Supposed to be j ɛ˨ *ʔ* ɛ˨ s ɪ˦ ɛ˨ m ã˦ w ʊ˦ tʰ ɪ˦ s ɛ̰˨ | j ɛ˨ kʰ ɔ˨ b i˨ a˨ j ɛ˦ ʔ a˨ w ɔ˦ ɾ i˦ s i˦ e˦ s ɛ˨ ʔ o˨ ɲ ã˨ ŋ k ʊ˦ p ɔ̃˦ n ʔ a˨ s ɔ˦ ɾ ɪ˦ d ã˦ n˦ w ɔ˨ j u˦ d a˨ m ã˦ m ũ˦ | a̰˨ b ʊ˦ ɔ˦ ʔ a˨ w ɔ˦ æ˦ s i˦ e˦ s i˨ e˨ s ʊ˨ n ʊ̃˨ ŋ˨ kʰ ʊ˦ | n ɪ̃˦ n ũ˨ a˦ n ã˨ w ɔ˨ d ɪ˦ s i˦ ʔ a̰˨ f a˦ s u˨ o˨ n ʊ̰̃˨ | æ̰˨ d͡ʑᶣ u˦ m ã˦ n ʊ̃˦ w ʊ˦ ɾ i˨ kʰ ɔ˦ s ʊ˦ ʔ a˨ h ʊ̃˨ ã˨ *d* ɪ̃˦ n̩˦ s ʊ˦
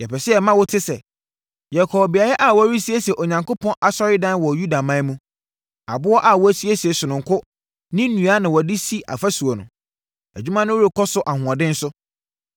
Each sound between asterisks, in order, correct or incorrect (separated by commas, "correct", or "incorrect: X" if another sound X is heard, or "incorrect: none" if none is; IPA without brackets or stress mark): incorrect: p, correct